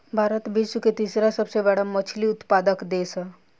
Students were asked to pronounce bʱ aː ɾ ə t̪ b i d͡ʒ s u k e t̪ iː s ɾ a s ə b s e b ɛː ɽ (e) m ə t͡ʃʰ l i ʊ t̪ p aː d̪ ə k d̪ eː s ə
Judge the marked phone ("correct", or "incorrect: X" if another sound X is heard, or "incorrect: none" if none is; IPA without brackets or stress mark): incorrect: a